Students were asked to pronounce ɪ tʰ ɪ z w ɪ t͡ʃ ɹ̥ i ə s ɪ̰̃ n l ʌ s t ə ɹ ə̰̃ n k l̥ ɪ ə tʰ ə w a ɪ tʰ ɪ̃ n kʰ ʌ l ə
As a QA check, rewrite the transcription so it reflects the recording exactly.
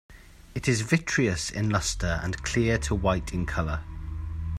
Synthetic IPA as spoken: ɪ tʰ ɪ z v ɪ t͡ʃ ɹ̥ i ə s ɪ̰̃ n l ʌ s t ə ɹ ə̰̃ n kʰ l̥ ɪ ə tʰ ə w a ɪ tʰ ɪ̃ n kʰ ʌ l ə